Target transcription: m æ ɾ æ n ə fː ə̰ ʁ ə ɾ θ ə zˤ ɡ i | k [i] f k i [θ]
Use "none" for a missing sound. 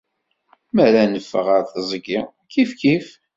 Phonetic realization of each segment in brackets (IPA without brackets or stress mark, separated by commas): i, f